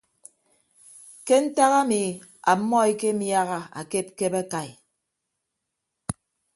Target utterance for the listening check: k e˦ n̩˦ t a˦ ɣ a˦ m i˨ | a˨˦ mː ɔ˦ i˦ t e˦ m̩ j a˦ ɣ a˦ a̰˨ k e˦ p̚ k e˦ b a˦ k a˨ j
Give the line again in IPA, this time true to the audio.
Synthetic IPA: k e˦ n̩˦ t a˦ ɣ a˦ m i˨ | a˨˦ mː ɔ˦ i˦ k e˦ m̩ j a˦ ɣ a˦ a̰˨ k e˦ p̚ k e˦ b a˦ k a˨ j